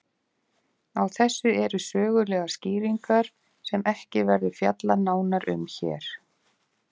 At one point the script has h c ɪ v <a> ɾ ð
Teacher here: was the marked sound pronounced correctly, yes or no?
no